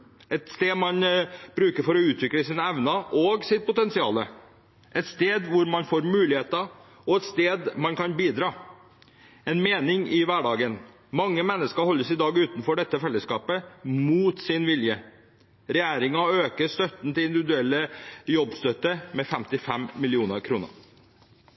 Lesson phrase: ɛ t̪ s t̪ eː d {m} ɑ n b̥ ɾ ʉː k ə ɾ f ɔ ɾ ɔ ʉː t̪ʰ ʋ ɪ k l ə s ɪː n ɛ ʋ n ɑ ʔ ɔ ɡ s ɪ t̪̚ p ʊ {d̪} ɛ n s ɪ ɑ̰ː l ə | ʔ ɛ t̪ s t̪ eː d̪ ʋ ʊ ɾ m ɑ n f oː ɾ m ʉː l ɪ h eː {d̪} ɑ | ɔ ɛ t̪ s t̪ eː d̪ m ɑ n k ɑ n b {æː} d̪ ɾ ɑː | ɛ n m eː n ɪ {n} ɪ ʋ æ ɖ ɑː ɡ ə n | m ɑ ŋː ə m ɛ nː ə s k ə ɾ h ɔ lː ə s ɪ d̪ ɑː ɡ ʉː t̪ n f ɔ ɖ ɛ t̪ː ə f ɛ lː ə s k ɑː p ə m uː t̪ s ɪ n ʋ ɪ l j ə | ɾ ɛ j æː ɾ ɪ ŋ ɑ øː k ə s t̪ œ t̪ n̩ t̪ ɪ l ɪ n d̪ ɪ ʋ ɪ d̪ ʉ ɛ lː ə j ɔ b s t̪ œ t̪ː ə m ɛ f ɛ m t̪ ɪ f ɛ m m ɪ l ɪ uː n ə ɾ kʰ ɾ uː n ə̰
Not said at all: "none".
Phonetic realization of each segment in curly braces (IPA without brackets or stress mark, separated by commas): m, t̪, t̪, iː, ŋ